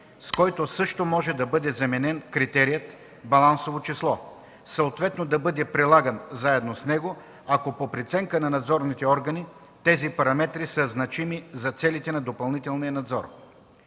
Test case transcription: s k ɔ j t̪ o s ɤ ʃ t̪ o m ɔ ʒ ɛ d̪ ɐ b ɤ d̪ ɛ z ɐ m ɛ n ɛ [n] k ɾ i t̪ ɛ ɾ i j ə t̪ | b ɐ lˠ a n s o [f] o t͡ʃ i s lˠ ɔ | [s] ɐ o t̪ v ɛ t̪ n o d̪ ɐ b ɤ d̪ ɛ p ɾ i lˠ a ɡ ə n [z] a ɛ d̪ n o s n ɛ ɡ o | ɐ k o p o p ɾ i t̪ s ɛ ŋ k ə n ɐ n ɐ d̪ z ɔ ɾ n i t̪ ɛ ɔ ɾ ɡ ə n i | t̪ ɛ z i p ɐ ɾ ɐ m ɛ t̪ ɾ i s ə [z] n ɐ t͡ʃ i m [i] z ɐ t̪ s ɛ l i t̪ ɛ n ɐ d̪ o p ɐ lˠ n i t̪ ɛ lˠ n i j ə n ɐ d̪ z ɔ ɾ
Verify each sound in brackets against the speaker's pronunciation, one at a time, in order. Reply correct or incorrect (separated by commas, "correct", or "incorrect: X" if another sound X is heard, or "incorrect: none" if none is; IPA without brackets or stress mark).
correct, incorrect: v, correct, correct, correct, correct